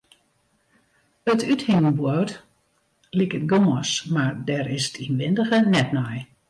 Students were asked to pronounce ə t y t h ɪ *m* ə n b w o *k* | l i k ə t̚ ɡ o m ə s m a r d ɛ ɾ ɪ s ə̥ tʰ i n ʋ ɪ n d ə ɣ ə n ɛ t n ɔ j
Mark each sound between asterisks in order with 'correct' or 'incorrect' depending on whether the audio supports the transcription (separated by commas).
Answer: incorrect, incorrect